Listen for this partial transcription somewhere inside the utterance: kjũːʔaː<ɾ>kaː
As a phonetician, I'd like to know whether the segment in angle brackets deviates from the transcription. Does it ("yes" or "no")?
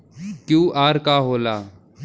no